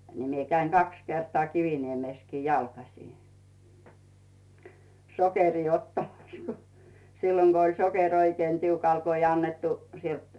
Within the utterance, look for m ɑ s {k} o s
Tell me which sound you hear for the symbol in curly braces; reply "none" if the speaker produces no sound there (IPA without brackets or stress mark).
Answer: k